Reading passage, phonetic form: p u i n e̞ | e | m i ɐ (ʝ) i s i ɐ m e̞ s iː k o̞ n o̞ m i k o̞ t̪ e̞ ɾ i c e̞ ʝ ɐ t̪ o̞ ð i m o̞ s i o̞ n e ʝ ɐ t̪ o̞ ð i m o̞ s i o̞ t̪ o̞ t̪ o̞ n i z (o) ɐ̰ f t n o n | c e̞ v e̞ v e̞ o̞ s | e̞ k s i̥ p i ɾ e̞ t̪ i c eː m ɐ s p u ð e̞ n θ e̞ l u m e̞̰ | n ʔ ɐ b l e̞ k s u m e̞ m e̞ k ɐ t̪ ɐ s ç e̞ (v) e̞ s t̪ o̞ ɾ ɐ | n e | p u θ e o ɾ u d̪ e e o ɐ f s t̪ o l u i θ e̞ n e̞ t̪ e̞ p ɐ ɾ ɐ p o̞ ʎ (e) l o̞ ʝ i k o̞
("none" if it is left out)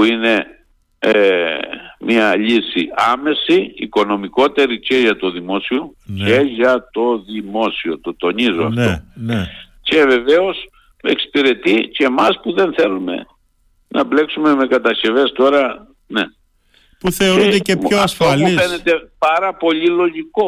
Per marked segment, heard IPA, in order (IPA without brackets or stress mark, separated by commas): ʎ, o, v, i